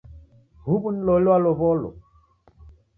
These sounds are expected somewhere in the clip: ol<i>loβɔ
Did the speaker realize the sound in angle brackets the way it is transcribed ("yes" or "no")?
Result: no